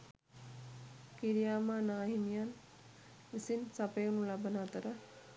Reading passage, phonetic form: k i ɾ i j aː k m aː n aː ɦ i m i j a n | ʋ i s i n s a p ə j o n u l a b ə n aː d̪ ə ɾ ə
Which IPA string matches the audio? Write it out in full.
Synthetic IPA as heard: k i ɾ i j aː m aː n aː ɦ i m i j a n | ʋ i s i n s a p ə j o n u l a b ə n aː t̪ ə ɾ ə